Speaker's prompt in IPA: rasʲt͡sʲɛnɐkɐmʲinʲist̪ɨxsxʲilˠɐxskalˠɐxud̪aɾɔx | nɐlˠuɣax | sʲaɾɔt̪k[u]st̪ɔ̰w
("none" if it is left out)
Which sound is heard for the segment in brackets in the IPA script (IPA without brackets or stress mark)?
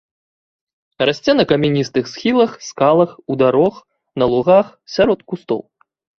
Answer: u